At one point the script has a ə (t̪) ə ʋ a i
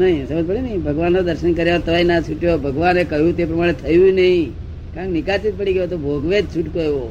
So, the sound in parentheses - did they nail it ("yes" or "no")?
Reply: yes